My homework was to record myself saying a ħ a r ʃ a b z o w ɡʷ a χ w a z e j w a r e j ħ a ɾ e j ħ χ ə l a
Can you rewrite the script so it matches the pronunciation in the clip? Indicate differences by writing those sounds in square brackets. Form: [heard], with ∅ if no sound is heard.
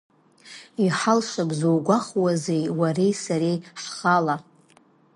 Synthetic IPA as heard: [i] ħ a [l] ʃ a b z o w ɡʷ a χ w a z e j w a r e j [s] a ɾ e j ħ χ [a] l a